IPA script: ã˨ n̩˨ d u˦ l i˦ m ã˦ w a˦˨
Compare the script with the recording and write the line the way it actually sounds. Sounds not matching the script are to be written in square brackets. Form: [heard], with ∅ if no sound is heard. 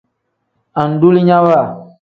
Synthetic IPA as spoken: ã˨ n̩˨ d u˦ l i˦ [ɲ] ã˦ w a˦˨